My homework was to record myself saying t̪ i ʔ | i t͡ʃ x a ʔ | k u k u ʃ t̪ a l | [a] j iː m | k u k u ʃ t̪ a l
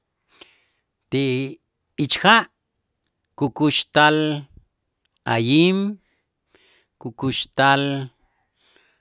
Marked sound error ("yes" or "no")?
no